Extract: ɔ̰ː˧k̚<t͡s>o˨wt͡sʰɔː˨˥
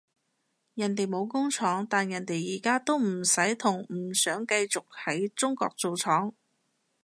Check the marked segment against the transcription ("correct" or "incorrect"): correct